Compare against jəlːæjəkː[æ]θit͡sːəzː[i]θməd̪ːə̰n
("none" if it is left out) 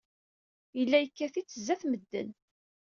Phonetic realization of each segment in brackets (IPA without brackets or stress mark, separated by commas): æ, æ